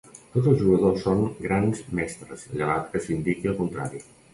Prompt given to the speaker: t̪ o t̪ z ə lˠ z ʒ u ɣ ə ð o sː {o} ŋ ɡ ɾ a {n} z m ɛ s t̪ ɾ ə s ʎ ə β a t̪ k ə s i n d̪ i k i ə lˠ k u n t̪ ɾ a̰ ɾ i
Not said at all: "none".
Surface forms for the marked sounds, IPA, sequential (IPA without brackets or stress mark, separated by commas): o, n